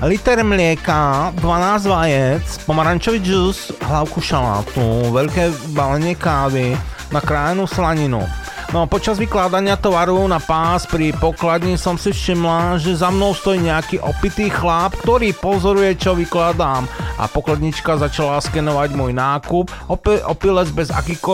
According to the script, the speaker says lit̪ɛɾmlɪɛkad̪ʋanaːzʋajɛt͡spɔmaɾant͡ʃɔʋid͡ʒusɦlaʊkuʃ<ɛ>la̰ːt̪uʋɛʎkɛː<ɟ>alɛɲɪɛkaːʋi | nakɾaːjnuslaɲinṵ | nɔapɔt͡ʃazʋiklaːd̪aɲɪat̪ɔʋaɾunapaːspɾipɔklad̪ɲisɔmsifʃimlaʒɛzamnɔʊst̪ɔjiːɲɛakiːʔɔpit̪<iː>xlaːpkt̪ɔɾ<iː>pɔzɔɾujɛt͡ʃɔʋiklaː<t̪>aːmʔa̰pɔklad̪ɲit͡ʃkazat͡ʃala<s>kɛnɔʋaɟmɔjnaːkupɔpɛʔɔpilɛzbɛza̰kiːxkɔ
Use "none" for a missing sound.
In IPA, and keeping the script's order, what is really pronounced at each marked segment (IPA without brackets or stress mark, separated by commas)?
a, b, iː, iː, d̪, s